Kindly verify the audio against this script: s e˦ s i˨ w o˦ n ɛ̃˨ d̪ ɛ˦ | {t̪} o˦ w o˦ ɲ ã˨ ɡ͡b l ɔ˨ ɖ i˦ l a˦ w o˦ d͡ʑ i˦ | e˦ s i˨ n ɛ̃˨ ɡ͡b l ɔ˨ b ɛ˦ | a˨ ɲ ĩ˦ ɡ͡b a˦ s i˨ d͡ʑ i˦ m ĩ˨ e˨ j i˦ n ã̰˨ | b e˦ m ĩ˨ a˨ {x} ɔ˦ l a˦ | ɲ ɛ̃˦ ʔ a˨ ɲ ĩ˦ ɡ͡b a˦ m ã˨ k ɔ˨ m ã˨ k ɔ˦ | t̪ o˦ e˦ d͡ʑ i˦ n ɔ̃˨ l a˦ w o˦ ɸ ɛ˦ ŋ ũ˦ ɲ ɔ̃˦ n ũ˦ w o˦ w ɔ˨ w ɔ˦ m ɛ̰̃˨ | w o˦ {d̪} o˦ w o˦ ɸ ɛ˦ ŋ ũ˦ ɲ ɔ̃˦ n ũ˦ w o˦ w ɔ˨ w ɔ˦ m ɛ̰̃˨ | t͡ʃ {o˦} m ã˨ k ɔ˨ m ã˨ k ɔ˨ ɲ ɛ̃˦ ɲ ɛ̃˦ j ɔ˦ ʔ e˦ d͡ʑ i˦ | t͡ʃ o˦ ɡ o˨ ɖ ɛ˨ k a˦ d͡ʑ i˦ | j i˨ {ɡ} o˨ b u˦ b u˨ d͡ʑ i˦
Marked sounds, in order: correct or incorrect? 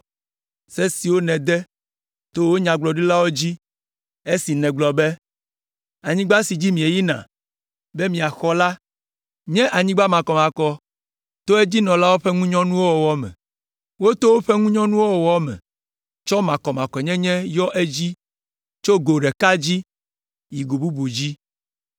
correct, correct, incorrect: t̪, incorrect: ɔ˦, correct

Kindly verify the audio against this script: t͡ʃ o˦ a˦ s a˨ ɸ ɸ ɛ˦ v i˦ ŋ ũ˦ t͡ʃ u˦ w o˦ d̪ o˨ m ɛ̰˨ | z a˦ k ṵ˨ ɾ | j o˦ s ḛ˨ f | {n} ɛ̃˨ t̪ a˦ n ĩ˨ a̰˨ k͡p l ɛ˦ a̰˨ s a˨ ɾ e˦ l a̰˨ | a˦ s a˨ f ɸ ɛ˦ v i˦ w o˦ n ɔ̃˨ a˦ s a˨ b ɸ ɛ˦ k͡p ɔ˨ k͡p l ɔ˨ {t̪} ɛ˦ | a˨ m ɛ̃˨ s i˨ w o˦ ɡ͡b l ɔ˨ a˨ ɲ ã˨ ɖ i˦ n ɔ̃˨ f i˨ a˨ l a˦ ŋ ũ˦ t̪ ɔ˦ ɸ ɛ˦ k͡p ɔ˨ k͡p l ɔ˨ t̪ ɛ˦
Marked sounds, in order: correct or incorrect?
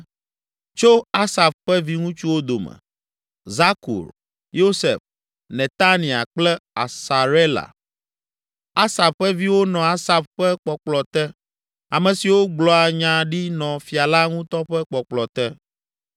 correct, correct

